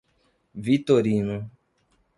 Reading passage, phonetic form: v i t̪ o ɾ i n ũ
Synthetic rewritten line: v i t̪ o ɾ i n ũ